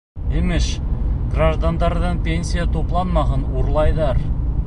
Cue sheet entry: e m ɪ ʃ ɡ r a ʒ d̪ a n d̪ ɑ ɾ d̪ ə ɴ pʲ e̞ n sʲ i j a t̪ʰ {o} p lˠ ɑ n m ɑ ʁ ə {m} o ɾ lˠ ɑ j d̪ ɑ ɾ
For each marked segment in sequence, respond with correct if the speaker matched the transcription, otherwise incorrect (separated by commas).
correct, incorrect